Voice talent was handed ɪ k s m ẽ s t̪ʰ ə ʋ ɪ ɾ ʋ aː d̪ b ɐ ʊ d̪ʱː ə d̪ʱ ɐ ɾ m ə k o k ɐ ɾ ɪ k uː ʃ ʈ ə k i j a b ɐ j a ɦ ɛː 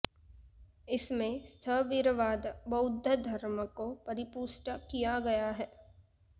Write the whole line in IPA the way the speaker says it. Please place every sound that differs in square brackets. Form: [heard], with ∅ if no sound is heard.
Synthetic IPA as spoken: ɪ [∅] s m ẽ s t̪ʰ ə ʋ ɪ ɾ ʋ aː d̪ b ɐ ʊ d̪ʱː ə d̪ʱ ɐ ɾ m ə k o [p] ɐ ɾ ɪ [p] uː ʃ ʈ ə k i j a [ɡ] ɐ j a ɦ ɛː

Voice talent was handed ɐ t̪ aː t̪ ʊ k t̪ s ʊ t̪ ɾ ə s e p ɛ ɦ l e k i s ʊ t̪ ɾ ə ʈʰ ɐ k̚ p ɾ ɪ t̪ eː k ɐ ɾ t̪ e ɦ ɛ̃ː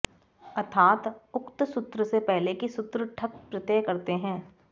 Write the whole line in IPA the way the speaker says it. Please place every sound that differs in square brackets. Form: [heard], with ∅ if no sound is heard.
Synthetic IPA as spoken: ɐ [t̪ʰ] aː t̪ ʊ k t̪ s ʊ t̪ ɾ ə s e p ɛ ɦ l e k i s ʊ t̪ ɾ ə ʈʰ ɐ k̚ p ɾ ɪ t̪ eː k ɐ ɾ t̪ e ɦ ɛ̃ː

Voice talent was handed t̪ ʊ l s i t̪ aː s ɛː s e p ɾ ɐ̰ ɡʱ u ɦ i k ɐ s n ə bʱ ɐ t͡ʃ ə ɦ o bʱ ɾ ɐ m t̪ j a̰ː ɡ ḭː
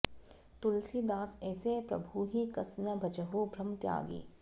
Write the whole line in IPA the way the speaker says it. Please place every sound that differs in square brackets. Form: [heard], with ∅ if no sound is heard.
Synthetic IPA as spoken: t̪ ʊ l s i [d̪] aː s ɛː s e p ɾ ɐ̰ [bʱ] u ɦ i k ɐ s n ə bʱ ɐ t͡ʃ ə ɦ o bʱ ɾ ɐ m t̪ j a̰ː ɡ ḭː

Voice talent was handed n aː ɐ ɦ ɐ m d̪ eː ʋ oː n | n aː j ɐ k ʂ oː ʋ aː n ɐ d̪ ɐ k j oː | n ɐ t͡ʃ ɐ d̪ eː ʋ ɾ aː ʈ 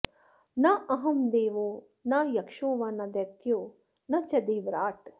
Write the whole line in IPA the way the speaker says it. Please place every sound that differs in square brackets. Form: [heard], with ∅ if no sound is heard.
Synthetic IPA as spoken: n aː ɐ ɦ ɐ m d̪ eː ʋ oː [∅] | n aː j ɐ k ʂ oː ʋ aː n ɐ d̪ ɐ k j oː | n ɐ t͡ʃ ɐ d̪ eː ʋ ɾ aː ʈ

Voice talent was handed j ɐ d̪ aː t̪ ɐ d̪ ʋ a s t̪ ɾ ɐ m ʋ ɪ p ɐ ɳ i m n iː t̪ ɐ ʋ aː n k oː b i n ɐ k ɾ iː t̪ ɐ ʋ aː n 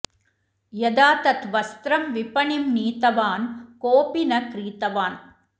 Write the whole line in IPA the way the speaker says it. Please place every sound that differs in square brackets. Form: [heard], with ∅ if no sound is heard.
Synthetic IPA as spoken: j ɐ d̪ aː t̪ ɐ [t̪] ʋ [ɐ] s t̪ ɾ ɐ m ʋ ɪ p ɐ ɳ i m n iː t̪ ɐ ʋ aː n k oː [p] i n ɐ k ɾ iː t̪ ɐ ʋ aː n

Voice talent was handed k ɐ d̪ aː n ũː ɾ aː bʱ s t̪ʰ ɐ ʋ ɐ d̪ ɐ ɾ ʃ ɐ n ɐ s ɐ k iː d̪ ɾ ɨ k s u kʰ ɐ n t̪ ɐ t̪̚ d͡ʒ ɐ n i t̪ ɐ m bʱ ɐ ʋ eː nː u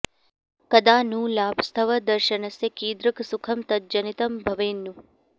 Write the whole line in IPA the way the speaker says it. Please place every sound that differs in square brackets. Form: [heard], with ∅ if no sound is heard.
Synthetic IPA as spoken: k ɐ d̪ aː n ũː [l] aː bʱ s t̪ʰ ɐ ʋ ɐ d̪ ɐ ɾ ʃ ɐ n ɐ s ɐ k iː d̪ ɾ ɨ k s u kʰ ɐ [m] t̪ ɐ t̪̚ d͡ʒ ɐ n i t̪ ɐ m bʱ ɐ ʋ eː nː u

